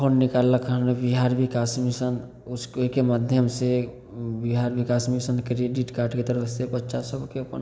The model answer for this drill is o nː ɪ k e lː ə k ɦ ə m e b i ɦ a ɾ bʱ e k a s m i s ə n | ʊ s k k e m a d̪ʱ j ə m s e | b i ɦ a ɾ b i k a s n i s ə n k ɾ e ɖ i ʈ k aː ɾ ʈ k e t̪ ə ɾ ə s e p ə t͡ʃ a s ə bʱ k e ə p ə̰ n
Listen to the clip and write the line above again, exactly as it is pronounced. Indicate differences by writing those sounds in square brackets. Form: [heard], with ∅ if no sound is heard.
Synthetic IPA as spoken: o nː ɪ k [a] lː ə k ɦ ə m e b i ɦ a ɾ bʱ [i] k a s m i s ə n | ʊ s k k e m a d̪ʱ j ə m s e | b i ɦ a ɾ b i k a s [m] i s ə n k ɾ e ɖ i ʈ k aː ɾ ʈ k e t̪ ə ɾ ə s e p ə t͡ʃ a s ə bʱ k e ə p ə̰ n